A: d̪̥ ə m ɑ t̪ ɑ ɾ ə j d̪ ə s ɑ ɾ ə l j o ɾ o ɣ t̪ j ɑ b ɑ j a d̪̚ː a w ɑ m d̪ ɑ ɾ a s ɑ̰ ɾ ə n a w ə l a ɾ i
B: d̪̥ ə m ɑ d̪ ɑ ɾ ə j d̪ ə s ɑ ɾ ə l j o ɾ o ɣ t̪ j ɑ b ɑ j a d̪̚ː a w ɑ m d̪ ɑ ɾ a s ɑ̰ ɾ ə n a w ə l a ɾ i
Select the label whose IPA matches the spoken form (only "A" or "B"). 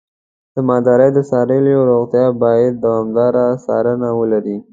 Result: B